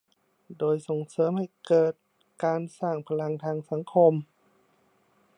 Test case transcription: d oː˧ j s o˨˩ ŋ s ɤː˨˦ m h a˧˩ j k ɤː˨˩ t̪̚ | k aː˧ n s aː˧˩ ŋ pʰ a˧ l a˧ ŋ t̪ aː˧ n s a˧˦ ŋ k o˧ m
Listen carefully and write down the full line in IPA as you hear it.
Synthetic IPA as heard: d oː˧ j s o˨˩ ŋ s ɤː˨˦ m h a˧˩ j k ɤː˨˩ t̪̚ | k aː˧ n s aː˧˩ ŋ pʰ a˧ l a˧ ŋ t̪ʰ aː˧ ŋ s a˧˦ ŋ kʰ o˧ m

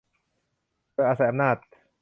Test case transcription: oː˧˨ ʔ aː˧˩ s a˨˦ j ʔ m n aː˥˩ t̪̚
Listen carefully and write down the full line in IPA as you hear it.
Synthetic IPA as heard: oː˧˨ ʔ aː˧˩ s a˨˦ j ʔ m n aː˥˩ t̪̚

